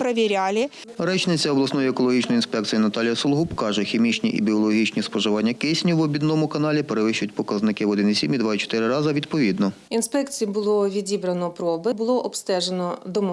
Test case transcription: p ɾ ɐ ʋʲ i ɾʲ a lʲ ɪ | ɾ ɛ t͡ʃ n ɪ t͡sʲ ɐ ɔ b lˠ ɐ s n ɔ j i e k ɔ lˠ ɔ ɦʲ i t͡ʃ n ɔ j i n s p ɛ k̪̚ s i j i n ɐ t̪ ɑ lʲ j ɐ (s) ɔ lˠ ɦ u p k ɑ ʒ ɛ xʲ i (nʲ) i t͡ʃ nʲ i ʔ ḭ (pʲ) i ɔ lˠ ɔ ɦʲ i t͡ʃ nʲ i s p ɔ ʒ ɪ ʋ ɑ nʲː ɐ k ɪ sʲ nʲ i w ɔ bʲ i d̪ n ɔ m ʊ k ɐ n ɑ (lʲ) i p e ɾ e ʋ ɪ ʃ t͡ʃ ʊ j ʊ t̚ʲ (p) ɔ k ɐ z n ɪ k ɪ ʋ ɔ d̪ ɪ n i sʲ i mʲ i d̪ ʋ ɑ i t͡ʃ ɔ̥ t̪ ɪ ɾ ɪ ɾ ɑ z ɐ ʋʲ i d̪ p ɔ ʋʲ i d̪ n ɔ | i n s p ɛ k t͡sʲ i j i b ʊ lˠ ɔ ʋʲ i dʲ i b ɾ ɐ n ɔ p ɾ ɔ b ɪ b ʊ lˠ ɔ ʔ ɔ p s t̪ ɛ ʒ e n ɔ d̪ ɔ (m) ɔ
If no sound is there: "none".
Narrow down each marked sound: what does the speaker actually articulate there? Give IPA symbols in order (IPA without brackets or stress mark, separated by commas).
s, mʲ, bʲ, lʲ, p, m